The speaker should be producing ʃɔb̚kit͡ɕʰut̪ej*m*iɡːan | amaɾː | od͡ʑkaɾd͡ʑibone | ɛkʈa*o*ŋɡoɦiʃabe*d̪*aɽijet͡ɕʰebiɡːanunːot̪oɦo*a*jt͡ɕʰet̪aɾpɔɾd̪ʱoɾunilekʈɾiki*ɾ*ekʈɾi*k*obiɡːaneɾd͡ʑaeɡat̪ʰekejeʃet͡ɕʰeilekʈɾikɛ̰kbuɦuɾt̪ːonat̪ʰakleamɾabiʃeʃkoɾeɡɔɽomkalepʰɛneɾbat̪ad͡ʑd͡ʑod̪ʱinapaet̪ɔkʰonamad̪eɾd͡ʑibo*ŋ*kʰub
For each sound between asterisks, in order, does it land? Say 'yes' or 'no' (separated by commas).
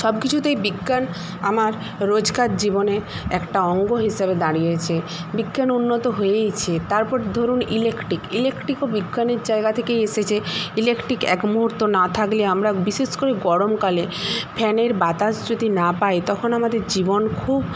no, no, yes, no, no, yes, no